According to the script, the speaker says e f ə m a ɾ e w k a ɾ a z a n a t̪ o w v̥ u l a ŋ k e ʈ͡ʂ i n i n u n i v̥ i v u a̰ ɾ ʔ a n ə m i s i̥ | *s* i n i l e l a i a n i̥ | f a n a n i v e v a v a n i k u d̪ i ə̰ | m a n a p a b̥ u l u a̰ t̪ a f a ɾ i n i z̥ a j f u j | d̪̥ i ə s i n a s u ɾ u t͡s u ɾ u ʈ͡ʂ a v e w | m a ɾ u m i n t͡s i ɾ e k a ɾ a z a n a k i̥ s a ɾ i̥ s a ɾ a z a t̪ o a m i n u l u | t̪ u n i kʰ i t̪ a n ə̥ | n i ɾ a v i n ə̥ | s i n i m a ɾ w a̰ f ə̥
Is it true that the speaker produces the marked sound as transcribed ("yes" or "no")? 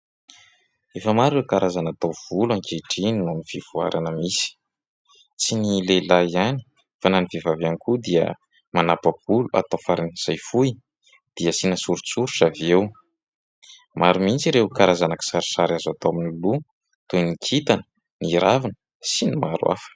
no